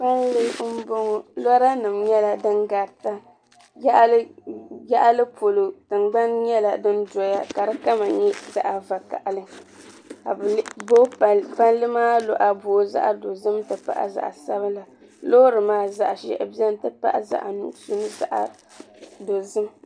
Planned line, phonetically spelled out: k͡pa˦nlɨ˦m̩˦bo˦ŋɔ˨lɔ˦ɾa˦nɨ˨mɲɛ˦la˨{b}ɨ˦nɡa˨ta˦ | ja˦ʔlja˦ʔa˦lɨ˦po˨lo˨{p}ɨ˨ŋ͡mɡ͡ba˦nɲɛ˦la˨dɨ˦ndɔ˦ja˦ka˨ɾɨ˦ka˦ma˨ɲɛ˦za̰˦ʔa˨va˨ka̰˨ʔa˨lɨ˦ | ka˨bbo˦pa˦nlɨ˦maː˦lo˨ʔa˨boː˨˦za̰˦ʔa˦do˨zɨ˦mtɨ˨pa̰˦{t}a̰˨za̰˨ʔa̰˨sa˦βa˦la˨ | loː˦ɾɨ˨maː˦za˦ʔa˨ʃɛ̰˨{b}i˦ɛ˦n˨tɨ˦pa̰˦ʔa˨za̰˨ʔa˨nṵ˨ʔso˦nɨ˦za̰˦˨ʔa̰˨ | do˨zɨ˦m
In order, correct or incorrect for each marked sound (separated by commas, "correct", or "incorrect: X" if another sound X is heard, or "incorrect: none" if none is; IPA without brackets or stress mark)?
incorrect: d, incorrect: t, incorrect: ʔ, correct